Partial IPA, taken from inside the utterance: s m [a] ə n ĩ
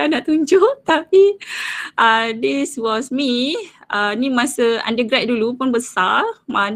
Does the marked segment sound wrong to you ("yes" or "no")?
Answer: yes